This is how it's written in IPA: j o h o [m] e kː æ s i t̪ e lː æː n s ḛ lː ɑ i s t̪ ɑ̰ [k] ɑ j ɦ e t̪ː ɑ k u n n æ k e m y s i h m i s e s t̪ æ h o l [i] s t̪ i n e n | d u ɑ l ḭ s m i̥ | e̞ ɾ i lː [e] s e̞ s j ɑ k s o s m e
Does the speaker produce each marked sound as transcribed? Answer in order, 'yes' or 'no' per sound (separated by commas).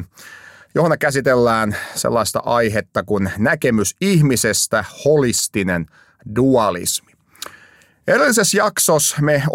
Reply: no, no, yes, no